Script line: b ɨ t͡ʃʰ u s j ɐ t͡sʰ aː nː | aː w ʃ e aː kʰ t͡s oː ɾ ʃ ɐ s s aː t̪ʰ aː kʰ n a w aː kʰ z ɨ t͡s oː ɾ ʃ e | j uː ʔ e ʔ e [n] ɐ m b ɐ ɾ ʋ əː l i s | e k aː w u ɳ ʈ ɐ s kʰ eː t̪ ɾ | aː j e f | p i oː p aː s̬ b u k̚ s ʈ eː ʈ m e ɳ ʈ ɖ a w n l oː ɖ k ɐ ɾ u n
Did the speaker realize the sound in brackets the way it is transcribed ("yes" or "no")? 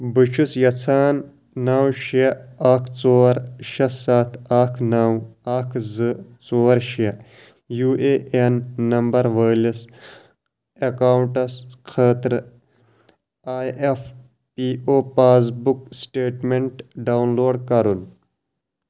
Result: no